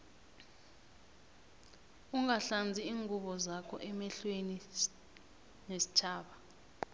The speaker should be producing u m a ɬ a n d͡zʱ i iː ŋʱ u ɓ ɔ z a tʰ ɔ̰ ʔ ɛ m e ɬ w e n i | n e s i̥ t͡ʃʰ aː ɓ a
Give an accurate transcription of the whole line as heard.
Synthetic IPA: u ŋ a ɬ a n d͡zʱ i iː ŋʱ u ɓ ɔ z a kʰ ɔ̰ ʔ ɛ m ɛ ɬ w e n i | n e s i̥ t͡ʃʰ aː ɓ a